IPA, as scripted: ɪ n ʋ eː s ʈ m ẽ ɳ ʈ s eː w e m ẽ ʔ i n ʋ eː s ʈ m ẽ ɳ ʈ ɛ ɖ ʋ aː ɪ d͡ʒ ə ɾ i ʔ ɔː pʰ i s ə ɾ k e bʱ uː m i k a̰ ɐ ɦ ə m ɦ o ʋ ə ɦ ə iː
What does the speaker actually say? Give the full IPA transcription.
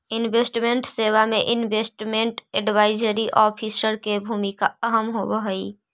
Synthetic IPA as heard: ɪ n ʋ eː s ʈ m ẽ ɳ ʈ s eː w a m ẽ ʔ ɪ n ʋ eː s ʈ m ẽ ɳ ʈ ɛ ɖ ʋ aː ɪ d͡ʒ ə ɾ i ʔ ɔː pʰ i s ə ɾ k e bʱ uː m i k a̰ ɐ ɦ ə m ɦ o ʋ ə ɦ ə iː